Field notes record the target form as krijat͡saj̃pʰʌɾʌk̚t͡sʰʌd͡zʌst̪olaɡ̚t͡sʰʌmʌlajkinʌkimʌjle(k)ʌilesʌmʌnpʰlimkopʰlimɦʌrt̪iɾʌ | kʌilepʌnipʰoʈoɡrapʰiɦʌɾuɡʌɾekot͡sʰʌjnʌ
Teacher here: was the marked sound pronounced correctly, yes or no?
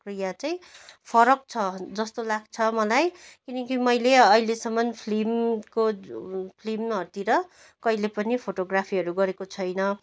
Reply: no